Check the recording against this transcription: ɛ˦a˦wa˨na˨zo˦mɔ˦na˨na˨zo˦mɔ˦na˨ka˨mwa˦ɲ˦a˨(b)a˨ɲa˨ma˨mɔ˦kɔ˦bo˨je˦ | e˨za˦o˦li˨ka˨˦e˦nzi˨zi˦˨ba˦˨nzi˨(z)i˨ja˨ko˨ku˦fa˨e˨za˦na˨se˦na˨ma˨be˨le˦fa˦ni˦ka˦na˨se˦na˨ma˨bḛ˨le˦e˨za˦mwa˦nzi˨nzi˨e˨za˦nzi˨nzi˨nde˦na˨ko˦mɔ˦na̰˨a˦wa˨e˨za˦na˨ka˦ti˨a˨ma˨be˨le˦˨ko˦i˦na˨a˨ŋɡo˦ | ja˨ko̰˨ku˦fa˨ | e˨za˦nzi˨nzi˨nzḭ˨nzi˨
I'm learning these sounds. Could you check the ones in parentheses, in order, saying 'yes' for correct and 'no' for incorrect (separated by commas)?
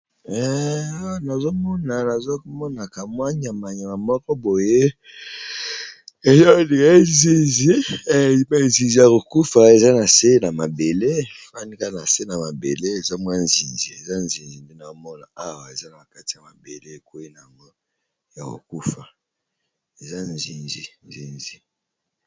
no, yes